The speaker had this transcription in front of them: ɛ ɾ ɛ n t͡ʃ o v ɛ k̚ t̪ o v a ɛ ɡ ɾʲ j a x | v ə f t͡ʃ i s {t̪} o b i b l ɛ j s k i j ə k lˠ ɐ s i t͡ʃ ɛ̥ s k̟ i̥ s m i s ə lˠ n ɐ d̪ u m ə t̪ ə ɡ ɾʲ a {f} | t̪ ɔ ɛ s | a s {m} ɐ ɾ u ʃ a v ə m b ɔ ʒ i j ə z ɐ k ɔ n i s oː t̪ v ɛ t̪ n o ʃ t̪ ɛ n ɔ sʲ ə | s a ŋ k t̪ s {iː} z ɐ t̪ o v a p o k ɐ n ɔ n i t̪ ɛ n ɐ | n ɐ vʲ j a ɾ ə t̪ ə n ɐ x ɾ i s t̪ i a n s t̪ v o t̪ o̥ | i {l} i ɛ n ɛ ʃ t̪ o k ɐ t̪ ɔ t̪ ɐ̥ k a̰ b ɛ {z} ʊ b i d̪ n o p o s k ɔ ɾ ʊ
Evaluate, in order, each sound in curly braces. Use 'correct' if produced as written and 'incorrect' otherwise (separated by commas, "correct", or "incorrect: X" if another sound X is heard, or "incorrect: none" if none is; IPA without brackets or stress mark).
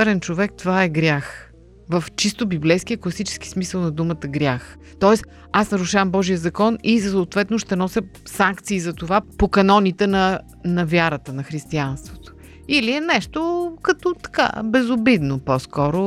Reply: correct, incorrect: x, incorrect: n, correct, correct, correct